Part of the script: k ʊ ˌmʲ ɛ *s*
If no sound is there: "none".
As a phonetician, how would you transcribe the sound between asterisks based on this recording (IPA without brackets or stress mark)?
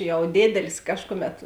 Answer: t